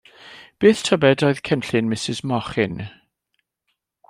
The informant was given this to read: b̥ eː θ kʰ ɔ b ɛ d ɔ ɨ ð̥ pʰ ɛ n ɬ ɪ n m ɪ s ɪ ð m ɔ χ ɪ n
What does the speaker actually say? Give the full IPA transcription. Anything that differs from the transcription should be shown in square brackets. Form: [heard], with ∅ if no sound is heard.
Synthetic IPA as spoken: b̥ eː θ [tʰ] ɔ b ɛ d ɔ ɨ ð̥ [kʰ] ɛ n ɬ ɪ n m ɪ s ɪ [z] m ɔ χ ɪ n